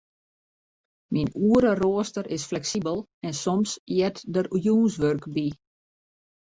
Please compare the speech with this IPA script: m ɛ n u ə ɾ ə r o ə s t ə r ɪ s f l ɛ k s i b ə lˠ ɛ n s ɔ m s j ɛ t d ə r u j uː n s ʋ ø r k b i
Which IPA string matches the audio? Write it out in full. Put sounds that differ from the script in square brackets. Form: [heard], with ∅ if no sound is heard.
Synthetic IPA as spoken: m [i] n u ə ɾ ə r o ə s t ə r ɪ s f l ɛ k s i b ə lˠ ɛ n s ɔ m s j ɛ t d ə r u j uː n s ʋ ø r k b i